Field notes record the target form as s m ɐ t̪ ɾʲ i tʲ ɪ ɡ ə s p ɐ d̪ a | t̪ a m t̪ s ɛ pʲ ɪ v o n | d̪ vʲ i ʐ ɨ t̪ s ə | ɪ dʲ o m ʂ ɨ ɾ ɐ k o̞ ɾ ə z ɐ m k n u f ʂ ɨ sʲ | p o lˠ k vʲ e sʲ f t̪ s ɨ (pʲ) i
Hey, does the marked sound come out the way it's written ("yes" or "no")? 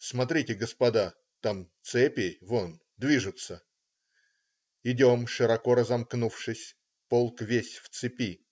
yes